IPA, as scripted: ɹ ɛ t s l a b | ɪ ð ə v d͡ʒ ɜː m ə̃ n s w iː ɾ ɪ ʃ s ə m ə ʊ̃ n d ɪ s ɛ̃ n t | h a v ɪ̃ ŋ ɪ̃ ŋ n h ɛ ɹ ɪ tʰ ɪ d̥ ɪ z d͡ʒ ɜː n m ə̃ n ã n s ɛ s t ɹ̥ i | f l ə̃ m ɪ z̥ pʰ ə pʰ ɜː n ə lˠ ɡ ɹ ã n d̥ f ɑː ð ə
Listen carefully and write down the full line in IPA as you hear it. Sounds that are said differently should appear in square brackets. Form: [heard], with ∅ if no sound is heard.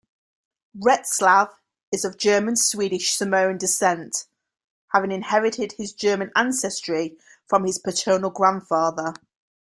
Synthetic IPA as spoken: ɹ ɛ t s l a [v] | ɪ [z] ə v d͡ʒ ɜː m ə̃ n s w iː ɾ ɪ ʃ s ə m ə ʊ̃ n d ɪ s ɛ̃ n t | h a v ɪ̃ ŋ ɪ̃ [∅] n h ɛ ɹ ɪ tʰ ɪ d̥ ɪ z d͡ʒ ɜː [∅] m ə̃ n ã n s ɛ s t ɹ̥ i | f [ɹ] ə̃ m ɪ z̥ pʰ ə [tʰ] ɜː n ə lˠ ɡ ɹ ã n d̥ f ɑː ð ə